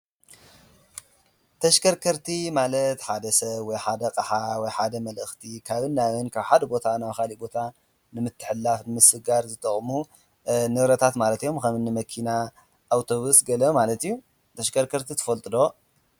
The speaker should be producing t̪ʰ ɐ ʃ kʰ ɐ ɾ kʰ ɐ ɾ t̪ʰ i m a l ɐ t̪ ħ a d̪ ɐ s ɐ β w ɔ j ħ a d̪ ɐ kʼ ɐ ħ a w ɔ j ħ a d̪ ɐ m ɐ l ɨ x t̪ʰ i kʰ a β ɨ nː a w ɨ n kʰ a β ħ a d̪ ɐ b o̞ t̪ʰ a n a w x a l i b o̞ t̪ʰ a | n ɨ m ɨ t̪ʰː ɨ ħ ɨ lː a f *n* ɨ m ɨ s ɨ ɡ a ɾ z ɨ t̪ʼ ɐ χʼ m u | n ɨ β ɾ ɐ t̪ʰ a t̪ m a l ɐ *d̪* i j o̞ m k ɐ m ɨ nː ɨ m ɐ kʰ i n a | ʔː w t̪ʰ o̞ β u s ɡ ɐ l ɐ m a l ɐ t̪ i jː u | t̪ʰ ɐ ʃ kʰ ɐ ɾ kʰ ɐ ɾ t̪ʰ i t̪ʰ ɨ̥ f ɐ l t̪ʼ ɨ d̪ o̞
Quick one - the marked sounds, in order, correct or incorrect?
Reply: correct, incorrect

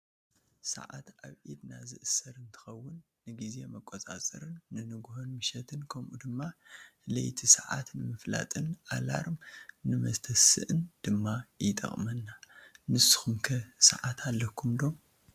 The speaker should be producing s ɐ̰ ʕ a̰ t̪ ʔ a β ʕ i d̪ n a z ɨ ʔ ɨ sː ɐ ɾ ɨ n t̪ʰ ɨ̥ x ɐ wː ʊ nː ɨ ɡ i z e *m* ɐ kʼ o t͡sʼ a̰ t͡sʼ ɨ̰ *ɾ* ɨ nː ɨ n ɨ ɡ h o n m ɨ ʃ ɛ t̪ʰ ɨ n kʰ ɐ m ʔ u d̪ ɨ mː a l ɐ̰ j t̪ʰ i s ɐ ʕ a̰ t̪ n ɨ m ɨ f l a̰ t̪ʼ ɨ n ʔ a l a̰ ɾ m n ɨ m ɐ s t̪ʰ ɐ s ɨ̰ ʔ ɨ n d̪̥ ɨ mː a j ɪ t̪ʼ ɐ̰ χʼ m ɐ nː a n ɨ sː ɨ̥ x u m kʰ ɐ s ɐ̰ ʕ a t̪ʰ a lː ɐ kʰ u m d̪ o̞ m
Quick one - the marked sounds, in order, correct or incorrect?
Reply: correct, correct

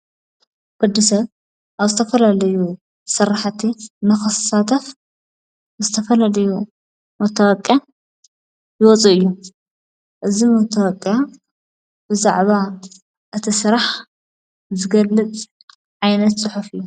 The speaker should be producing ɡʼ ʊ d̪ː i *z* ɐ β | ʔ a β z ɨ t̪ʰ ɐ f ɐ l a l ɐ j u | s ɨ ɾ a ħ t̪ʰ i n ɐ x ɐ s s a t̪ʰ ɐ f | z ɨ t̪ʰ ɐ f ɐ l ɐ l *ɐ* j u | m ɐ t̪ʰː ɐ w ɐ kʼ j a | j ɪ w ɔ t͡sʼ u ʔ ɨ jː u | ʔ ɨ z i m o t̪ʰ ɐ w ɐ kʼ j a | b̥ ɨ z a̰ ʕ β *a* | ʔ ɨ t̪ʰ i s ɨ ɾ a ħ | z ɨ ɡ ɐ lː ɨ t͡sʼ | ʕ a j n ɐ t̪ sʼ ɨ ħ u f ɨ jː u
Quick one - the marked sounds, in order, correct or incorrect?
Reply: incorrect, correct, correct

